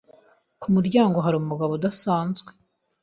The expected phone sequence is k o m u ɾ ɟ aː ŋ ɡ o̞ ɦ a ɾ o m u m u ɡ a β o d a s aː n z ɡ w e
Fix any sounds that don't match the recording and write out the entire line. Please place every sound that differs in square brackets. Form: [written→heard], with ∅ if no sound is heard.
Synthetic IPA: k [o→u] m u ɾ ɟ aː ŋ ɡ o̞ ɦ a ɾ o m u m u ɡ a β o d a s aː n z ɡ w e